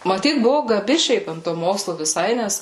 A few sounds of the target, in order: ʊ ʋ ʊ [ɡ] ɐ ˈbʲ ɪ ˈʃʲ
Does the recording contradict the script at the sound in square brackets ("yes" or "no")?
no